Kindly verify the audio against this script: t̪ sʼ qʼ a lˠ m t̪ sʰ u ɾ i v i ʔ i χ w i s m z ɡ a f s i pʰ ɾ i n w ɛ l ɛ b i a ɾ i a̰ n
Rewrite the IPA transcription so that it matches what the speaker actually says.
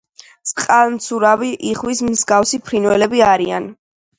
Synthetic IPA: t̪ sʼ qʼ a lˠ m t̪ sʰ u ɾ a v i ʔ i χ w i s m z ɡ a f s i pʰ ɾ i n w ɛ l ɛ b i a ɾ i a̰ n